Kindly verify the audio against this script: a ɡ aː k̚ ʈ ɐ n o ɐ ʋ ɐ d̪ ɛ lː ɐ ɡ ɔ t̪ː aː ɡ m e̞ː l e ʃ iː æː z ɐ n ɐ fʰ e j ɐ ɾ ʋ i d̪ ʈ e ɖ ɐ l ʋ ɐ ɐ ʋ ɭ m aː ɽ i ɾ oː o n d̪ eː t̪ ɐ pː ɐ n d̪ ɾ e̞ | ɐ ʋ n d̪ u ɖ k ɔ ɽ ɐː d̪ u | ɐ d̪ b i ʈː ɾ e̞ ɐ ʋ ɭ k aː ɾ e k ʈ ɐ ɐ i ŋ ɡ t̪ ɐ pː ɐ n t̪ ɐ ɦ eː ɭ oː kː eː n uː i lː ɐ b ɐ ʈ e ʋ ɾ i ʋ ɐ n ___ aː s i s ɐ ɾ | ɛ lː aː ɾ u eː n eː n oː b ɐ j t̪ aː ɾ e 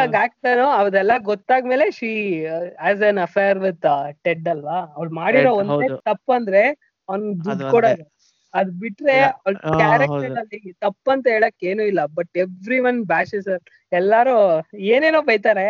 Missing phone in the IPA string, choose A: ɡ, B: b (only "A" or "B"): B